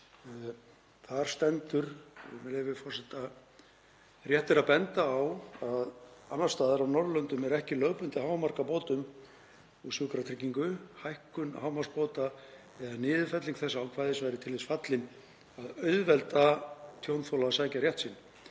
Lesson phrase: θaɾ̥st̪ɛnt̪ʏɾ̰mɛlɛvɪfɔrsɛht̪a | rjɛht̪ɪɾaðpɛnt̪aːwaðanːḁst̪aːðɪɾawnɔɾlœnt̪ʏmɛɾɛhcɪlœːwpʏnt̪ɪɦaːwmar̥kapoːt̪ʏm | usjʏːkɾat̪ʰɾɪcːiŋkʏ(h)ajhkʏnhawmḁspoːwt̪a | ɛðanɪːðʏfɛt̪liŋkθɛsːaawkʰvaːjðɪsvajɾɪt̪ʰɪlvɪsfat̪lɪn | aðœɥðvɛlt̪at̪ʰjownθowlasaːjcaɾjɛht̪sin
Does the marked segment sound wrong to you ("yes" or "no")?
no